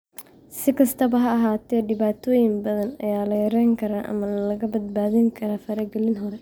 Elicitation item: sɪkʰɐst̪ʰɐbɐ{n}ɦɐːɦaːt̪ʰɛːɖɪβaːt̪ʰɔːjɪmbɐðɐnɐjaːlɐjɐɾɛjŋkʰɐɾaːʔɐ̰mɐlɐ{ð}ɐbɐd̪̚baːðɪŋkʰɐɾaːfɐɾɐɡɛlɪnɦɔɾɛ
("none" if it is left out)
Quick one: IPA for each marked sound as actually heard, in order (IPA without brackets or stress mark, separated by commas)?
none, ɣ